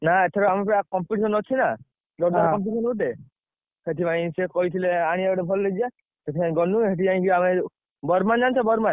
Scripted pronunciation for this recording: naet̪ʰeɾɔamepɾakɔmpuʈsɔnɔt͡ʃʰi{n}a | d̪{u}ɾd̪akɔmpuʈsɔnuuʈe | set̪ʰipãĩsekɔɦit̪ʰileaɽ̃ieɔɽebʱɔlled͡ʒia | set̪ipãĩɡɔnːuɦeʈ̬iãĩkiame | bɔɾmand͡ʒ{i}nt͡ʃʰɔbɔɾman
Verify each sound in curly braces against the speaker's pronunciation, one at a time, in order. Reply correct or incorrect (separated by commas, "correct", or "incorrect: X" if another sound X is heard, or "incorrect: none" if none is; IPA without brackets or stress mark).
correct, incorrect: ɔ, incorrect: a